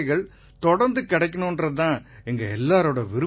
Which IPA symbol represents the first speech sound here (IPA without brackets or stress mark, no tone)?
ɣ